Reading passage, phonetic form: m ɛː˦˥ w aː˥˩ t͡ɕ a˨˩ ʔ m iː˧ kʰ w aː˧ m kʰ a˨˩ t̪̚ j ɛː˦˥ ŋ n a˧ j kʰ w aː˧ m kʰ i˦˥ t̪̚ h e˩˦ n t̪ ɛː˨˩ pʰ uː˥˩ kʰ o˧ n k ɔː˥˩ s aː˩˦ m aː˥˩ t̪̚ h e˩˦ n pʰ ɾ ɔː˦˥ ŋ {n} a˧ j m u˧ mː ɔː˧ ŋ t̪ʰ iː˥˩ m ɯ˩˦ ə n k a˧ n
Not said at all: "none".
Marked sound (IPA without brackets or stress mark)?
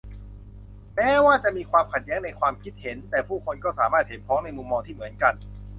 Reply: n